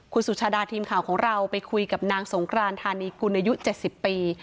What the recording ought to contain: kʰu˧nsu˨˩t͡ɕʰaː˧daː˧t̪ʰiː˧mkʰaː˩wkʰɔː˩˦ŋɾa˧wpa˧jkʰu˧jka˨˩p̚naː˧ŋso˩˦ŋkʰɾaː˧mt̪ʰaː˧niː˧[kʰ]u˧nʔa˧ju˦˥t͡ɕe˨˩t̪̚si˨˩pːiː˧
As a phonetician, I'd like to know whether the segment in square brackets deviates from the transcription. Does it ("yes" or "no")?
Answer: yes